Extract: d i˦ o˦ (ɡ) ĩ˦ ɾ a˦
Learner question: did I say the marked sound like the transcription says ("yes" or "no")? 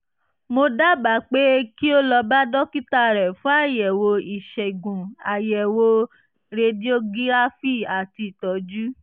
yes